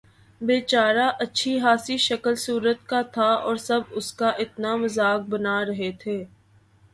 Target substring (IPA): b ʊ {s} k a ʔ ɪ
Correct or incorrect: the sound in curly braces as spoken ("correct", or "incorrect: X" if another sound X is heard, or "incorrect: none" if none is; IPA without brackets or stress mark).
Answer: correct